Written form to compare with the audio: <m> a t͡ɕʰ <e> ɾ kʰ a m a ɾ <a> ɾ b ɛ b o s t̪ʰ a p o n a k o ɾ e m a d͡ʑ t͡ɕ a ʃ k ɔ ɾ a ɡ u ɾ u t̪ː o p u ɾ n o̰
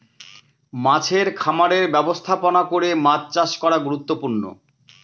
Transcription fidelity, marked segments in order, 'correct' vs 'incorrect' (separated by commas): correct, correct, incorrect